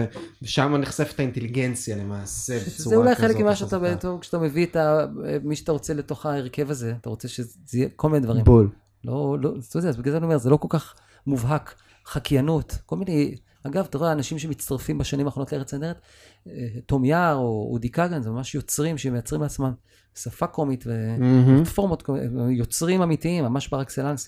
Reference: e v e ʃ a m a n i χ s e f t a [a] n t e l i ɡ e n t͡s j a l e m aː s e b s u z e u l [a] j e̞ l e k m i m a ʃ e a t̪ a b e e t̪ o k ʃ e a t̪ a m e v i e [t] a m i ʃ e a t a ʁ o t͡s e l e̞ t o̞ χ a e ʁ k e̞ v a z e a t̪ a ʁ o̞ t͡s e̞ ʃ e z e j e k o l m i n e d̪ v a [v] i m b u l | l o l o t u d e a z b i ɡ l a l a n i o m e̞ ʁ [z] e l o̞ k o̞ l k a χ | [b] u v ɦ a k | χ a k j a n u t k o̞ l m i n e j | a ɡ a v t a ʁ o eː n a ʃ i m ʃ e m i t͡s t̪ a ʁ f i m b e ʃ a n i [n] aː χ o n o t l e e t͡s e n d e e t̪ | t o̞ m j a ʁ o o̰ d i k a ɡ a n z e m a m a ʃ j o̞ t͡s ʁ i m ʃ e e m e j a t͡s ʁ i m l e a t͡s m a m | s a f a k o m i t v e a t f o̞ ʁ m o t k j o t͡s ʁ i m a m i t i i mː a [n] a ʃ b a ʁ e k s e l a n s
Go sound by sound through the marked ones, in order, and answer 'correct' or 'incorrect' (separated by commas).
incorrect, correct, correct, incorrect, correct, incorrect, incorrect, incorrect